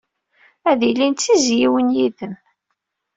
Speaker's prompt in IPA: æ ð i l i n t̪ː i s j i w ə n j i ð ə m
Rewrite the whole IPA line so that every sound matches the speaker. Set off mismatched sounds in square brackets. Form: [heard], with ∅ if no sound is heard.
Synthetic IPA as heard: æ ð i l i n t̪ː i [z] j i w ə n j i ð ə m